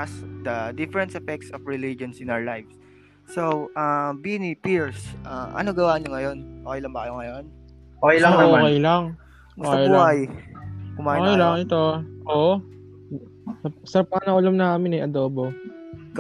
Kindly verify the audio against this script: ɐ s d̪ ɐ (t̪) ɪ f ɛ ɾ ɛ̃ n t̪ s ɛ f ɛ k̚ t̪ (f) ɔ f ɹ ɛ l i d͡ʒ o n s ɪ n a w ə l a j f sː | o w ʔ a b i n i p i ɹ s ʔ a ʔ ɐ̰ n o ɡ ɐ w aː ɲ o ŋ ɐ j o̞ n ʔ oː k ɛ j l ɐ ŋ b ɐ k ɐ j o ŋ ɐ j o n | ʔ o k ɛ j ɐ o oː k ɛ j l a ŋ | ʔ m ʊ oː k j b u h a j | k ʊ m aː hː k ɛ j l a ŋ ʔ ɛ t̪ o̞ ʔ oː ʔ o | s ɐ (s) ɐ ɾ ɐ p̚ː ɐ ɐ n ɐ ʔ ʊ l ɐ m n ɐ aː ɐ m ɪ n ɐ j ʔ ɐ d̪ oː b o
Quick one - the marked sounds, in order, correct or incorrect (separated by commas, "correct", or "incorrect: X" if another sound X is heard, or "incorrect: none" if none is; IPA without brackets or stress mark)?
incorrect: d̪, incorrect: s, correct